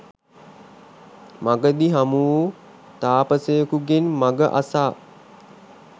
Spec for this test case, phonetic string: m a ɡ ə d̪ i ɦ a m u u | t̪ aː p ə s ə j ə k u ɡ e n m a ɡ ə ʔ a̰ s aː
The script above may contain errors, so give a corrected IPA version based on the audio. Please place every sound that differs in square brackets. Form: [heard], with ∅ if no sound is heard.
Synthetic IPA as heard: m a ɡ ə d̪ i ɦ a m u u | t̪ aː p ə s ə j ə k u ɡ e n m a ɡ ə ʔ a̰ s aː